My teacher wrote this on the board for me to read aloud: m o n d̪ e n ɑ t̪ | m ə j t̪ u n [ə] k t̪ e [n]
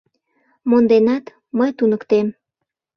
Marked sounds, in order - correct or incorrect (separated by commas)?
correct, incorrect